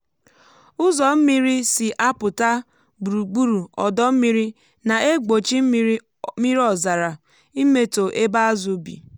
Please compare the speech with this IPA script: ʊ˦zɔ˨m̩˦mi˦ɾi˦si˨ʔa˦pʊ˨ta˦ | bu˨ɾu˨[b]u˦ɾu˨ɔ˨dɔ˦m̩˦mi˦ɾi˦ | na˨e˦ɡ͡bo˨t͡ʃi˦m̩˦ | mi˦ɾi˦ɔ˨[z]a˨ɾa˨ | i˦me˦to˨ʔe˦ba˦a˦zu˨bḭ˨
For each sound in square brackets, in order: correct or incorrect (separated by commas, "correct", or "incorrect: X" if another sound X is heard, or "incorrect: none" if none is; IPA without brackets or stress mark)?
incorrect: ɡ͡b, correct